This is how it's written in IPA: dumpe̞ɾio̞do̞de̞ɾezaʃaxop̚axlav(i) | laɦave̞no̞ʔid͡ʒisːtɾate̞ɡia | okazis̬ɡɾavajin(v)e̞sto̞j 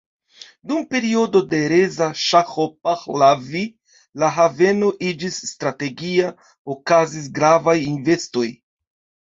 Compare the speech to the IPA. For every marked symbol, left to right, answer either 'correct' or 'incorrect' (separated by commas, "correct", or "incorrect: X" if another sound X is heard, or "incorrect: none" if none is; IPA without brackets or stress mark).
correct, correct